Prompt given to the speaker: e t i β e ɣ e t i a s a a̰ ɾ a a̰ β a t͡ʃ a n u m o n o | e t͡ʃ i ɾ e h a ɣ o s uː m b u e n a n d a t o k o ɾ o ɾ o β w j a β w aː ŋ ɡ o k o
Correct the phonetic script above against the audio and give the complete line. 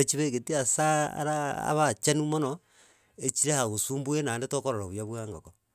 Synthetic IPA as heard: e t͡ʃ i β e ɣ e t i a s a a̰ ɾ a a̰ β a t͡ʃ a n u m o n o | e t͡ʃ i ɾ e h a ɣ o s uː m b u e n a n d e t o k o ɾ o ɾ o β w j a β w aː ŋ ɡ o k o

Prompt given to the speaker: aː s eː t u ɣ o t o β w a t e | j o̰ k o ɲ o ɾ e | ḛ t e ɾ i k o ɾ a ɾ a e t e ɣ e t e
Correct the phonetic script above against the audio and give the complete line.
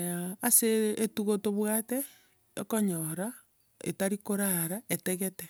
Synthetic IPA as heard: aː s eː t u ɣ o t o β w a t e | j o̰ k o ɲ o ɾ a | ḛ t a ɾ i k o ɾ a ɾ a e t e ɣ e t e

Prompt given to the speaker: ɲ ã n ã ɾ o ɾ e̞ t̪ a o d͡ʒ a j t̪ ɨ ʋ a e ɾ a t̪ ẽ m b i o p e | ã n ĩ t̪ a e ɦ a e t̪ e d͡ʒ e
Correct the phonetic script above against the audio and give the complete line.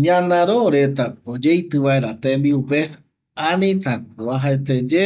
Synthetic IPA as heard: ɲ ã n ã ɾ o ɾ e̞ t̪ a o d͡ʒ e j t̪ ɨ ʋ a e ɾ a t̪ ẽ m b i u p e | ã n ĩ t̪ a a ɦ a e t̪ e d͡ʒ e

